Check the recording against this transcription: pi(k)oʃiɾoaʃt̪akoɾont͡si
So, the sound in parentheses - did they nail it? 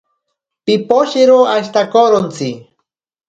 no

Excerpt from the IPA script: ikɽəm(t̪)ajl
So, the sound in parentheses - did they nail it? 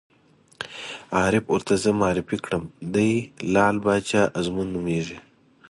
no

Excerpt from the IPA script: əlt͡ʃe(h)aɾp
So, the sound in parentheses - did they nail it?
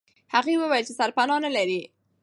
no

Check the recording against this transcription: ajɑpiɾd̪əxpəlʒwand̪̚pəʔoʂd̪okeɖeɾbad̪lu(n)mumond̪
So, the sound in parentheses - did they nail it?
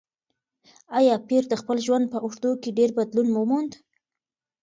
yes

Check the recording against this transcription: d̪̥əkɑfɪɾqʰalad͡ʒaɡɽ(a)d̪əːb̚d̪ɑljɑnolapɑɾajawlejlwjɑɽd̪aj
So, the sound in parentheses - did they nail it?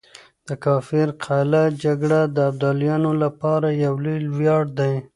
yes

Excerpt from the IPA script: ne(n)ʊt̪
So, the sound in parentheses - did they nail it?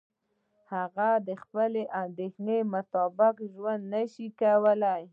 no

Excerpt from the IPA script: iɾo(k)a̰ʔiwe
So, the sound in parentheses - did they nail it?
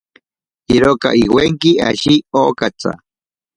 yes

